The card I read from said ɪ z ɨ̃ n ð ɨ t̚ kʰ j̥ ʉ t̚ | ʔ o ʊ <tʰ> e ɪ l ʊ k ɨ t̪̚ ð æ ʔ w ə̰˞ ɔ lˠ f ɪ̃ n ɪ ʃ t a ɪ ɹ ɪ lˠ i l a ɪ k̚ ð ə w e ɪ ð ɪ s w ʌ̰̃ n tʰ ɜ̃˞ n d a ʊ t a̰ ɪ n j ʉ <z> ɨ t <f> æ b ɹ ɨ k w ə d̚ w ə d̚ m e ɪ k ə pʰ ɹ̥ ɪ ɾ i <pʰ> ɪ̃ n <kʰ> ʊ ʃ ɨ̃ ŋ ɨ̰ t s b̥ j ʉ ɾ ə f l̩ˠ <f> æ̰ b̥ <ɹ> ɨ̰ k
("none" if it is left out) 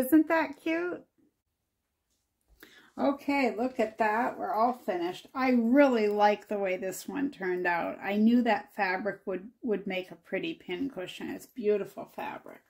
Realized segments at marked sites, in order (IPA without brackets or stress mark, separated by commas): kʰ, ð, f, pʰ, kʰ, f, ɹ